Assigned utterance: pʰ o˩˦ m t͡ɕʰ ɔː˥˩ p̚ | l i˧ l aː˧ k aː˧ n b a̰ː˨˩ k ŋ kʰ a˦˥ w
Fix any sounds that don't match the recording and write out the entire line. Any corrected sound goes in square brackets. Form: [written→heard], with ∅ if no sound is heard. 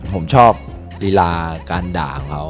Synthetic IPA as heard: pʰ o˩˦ m t͡ɕʰ ɔː˥˩ p̚ | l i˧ l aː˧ k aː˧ n [b→d] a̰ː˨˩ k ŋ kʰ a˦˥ w